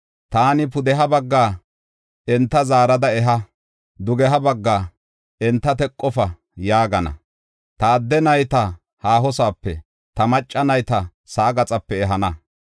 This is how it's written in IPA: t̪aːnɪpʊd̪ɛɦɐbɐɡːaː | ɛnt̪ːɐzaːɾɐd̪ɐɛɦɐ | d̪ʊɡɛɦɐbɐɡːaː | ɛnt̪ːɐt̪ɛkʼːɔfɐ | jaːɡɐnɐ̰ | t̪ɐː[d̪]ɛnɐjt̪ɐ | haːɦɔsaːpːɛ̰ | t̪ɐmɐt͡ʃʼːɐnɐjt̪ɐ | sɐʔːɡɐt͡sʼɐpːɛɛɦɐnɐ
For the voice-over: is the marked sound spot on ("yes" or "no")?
no